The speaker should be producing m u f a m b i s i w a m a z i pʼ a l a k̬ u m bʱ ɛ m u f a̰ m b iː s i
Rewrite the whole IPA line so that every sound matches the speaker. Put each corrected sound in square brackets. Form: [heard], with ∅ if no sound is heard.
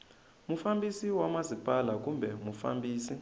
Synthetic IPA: m u f a m b i s i w a m a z i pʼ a l a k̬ u m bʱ ɛ m u f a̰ m b iː s i